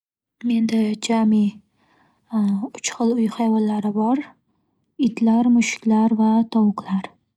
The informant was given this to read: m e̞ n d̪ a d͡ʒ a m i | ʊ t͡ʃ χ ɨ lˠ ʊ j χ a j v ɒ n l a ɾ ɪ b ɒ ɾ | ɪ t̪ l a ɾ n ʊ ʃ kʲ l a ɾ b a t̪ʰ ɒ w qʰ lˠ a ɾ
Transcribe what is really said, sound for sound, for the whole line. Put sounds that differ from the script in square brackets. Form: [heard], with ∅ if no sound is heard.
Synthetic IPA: m e̞ n d̪ a d͡ʒ a m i | ʊ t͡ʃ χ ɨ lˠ ʊ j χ a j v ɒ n l a ɾ ɪ b ɒ ɾ | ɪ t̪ l a ɾ [m] ʊ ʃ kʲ l a ɾ [v] a t̪ʰ ɒ w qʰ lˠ a ɾ